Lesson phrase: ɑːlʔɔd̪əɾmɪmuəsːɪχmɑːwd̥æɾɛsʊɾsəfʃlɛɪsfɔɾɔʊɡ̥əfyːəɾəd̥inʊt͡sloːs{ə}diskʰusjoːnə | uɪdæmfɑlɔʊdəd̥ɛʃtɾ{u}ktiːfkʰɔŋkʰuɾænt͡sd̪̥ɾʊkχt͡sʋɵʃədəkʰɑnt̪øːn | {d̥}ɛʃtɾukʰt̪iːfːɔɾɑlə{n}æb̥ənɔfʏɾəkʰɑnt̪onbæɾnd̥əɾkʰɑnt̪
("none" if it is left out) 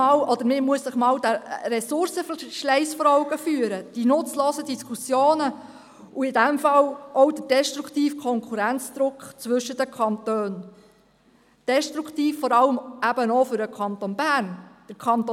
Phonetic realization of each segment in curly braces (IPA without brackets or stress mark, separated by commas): ə, u, d̥, m